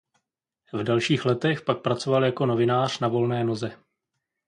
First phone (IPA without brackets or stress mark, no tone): v